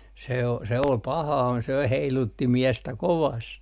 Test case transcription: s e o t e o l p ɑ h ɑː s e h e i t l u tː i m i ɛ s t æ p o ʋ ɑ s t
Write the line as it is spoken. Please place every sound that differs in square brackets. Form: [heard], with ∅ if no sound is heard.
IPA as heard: s e o [s] e o l p ɑ h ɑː s e h e i [∅] l u tː i m i ɛ s t æ [k] o ʋ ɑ s t